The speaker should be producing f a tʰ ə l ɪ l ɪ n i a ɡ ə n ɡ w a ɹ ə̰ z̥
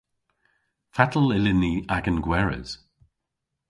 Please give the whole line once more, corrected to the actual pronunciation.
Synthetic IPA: f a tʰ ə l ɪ l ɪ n i a ɡ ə n ɡ w ɛ ɹ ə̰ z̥

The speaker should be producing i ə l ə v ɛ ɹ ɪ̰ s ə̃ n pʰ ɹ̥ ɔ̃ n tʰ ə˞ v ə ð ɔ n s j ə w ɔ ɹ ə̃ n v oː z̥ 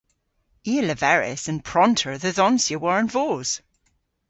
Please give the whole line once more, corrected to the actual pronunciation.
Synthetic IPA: i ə l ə v ɛ ɹ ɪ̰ s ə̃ n pʰ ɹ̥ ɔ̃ n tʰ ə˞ ð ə ð ɔ n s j ə w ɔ ɹ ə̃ n v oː z̥

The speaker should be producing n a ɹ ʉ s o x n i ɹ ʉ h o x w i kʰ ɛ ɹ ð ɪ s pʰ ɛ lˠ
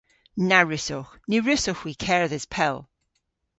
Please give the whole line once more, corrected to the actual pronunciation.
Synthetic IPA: n a ɹ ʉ s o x n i ɹ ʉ s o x w i kʰ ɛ ɹ ð ɪ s pʰ ɛ lˠ

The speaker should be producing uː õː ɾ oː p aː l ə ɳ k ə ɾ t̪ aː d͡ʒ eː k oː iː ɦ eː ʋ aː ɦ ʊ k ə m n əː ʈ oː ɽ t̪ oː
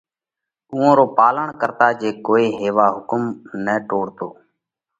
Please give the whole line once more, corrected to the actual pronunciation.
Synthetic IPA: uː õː ɾ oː p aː l ə ɳ k ə ɾ t̪ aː d͡ʒ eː k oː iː ɦ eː ʋ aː ɦ ʊ k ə m n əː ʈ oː ɽ t̪ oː

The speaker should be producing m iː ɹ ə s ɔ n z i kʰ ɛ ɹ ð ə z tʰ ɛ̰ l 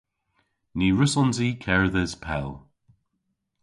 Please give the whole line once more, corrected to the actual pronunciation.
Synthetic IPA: n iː ɹ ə s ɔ n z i kʰ ɛ ɹ ð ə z pʰ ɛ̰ l

